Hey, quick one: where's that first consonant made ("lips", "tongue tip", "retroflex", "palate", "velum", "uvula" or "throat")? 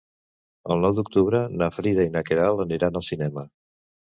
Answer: tongue tip